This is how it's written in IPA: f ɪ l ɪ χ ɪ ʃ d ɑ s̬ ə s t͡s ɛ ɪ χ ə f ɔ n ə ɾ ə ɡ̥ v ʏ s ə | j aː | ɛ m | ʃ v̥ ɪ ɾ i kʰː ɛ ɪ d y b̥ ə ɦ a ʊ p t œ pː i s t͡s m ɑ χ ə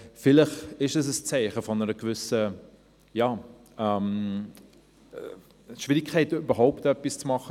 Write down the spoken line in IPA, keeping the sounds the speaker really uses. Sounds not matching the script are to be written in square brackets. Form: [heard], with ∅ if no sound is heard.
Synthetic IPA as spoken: f ɪ l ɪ χ ɪ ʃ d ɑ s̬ ə s t͡s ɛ ɪ χ ə f ɔ n ə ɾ ə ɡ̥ v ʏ s ə | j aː | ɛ m | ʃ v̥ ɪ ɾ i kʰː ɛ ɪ [t] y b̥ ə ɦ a ʊ p t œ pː i s t͡s m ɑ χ ə